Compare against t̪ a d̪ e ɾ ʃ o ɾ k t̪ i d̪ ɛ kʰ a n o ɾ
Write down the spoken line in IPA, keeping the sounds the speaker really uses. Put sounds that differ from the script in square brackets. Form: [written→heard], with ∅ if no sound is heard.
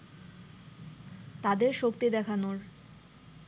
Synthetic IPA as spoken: t̪ a d̪ e ɾ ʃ o [ɾ→∅] k t̪ i d̪ ɛ kʰ a n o ɾ